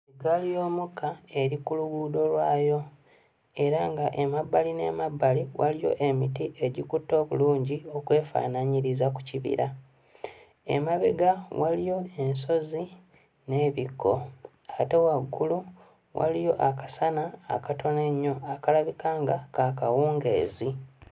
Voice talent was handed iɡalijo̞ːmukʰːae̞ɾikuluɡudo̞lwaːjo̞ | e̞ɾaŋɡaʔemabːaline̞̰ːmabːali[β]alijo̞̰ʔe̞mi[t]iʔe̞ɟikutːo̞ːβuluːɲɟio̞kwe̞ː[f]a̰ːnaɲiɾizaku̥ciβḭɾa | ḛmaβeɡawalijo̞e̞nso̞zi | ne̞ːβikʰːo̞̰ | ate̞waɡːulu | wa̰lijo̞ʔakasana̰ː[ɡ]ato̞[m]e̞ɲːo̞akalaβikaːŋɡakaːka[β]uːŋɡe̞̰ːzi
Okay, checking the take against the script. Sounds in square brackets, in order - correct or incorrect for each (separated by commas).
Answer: incorrect, correct, correct, incorrect, incorrect, incorrect